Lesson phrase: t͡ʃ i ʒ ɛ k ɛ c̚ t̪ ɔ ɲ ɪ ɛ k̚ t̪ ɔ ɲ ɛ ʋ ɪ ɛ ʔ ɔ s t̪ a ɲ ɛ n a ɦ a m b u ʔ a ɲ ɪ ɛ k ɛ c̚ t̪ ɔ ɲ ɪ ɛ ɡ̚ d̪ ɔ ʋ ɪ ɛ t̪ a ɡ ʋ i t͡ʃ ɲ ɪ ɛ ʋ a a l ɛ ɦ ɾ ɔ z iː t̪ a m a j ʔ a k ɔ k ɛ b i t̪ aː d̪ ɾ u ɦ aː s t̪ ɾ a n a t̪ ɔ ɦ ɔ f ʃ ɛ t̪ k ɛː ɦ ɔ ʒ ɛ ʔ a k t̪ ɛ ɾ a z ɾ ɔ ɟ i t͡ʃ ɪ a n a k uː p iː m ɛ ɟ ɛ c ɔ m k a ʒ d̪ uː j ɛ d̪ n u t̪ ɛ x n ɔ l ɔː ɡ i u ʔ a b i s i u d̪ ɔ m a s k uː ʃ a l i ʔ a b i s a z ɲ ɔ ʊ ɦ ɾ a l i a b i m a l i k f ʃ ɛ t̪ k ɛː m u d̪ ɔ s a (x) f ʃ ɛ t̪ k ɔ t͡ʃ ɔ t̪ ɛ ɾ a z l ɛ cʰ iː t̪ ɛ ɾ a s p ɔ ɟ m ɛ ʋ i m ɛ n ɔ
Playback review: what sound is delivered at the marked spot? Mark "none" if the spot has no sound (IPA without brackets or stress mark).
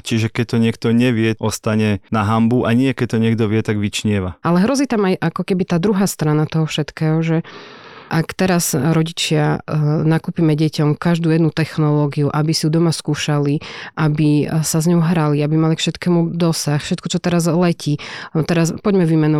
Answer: x